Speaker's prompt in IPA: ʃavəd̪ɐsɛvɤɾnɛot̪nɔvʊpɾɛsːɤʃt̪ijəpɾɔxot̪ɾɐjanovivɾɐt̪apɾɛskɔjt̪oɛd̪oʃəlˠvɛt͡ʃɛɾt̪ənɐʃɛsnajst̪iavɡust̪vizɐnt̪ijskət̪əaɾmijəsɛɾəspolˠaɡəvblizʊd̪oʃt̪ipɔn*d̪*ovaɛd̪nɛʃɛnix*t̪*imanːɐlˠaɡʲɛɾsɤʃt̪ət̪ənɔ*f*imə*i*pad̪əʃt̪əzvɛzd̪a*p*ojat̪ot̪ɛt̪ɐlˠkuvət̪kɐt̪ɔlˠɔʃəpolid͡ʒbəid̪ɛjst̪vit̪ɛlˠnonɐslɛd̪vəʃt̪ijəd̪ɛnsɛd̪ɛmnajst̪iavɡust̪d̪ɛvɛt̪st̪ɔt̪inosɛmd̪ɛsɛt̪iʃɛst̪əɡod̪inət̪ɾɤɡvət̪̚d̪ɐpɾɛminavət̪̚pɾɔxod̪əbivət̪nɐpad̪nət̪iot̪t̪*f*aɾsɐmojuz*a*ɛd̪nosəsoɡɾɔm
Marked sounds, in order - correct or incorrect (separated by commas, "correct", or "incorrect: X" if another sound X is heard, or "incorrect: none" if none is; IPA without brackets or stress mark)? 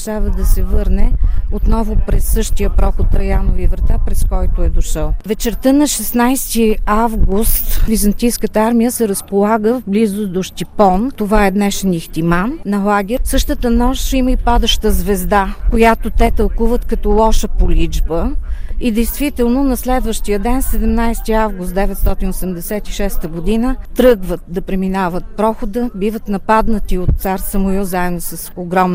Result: incorrect: t̪, correct, incorrect: ʃ, correct, incorrect: k, incorrect: s, correct